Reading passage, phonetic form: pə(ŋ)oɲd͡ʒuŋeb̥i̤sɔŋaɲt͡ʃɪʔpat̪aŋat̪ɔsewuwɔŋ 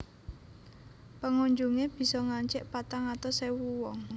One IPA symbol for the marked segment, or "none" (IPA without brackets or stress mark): ŋ